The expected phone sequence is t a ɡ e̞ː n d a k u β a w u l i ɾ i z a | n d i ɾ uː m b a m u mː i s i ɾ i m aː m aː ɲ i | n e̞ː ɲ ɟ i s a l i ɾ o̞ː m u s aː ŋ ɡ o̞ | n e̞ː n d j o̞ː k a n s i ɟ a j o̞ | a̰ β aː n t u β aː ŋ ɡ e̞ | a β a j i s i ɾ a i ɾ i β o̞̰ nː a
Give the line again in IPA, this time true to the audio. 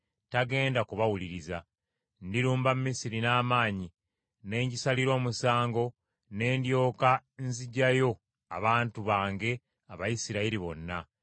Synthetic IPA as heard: t a ɡ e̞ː n d a k u β a w u l i ɾ i z a | n d i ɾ uː m b a m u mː i s i ɾ i n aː m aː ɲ i | n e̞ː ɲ ɟ i s a l i ɾ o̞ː m u s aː ŋ ɡ o̞ | n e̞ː n d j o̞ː k a n z i ɟ a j o̞ | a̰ β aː n t u β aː ŋ ɡ e̞ | a β a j i s i ɾ a i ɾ i β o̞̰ nː a